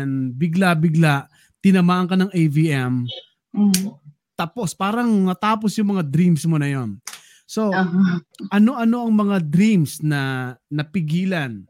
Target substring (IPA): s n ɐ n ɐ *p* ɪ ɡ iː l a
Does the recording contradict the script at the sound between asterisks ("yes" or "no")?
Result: no